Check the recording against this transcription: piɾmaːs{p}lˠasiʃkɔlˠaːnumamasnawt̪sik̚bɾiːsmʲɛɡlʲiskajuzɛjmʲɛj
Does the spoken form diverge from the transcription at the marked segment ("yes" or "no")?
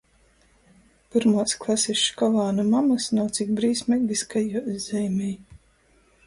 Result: yes